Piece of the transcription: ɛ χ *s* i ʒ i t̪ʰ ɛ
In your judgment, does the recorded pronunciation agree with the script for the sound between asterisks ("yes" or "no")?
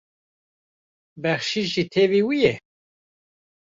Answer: no